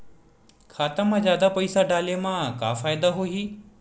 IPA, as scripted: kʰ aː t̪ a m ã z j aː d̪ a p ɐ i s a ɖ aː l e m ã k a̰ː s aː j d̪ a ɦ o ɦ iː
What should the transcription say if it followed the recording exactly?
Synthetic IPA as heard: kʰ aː t̪ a m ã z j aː d̪ a p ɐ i s a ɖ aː l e m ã k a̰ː f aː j d̪ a ɦ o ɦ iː